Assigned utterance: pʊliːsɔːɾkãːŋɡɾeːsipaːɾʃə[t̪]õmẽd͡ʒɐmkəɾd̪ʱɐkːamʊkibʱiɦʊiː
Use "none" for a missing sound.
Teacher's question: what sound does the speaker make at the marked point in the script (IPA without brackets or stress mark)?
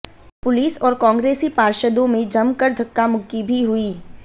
d̪